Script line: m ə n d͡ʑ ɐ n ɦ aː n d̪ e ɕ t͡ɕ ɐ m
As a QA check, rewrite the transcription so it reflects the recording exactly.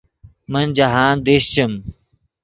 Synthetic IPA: m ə n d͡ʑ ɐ ɦ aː n d̪ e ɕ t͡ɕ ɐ m